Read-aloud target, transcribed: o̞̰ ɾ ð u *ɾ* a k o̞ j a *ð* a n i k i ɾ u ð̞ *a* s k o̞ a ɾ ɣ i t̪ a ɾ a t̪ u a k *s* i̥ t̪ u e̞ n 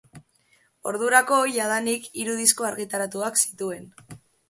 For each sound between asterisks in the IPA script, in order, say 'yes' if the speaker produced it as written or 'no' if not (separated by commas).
yes, yes, no, yes